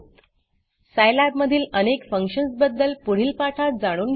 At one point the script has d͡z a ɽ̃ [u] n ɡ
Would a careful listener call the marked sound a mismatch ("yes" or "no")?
yes